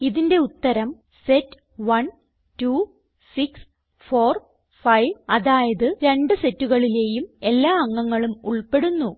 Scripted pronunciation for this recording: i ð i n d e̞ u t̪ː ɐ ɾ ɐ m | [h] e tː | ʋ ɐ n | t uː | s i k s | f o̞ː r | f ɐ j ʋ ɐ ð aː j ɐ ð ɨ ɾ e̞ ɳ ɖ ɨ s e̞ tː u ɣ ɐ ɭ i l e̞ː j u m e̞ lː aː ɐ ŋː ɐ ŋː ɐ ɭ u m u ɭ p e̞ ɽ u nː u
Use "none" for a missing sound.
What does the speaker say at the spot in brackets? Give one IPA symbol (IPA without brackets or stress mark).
s